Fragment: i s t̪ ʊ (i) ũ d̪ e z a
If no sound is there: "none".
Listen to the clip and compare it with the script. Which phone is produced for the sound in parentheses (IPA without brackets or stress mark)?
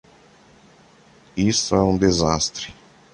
ɛ